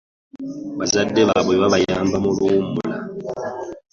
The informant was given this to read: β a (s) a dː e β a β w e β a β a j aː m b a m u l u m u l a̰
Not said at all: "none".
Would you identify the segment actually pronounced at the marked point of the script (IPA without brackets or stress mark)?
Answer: z